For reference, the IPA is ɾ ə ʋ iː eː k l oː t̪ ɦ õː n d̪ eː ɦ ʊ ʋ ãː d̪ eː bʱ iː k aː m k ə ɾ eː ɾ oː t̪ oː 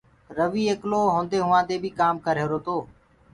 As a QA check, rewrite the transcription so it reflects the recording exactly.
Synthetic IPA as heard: ɾ ə ʋ iː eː k l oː ɦ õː n d̪ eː ɦ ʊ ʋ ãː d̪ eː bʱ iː k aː m k ə ɾ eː ɾ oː t̪ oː